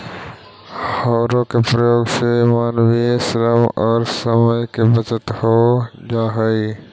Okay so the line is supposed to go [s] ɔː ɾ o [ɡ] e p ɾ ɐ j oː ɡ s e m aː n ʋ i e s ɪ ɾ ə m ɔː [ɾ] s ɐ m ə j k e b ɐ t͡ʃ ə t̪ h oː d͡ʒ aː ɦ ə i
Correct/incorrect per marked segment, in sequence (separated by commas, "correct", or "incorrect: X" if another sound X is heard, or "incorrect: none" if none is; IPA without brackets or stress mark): incorrect: h, incorrect: k, correct